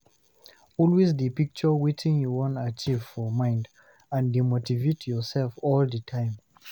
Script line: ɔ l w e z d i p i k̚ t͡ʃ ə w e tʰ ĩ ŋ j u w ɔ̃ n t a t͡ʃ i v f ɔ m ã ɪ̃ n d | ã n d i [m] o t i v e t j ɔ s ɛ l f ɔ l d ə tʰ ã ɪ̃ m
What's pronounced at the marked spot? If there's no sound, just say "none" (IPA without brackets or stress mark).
m